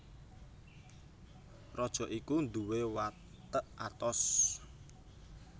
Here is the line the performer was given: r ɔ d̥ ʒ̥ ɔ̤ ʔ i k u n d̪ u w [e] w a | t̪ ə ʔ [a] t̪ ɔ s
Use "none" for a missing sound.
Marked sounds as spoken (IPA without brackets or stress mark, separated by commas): e, a